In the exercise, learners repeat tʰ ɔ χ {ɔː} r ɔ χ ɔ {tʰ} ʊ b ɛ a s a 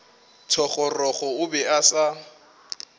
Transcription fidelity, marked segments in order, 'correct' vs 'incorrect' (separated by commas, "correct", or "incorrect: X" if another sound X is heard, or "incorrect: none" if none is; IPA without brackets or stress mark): incorrect: ɔ, incorrect: none